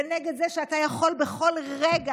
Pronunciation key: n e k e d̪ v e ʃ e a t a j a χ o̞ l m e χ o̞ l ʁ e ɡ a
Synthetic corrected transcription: n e ɡ e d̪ z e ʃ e a t a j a χ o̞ l b e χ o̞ l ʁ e ɡ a